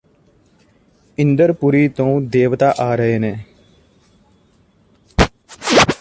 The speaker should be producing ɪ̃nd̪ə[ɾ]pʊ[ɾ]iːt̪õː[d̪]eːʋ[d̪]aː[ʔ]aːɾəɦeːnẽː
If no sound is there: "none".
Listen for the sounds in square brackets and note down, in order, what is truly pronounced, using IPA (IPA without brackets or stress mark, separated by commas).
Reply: ɾ, ɾ, d̪, t̪, ʔ